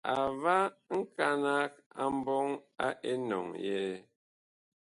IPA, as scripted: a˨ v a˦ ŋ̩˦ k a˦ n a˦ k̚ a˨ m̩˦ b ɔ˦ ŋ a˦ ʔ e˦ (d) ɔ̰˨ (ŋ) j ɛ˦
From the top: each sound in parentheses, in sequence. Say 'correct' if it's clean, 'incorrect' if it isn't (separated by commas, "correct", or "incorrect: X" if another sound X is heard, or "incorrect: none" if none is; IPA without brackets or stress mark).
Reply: incorrect: n, correct